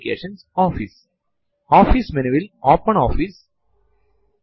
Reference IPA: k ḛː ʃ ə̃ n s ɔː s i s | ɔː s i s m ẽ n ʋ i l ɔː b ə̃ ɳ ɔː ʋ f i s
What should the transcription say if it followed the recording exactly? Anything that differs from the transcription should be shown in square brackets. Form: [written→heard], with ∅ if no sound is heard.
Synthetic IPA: k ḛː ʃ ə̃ n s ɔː [s→f] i s | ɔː [s→f] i s m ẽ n ʋ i l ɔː [b→p] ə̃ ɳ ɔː [ʋ→∅] f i s